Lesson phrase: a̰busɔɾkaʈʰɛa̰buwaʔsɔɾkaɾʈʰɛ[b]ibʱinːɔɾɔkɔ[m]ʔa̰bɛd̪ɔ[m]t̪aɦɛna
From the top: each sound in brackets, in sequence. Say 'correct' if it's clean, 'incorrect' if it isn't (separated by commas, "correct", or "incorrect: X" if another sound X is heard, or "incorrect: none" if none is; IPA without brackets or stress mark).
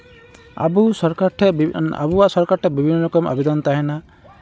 correct, correct, incorrect: n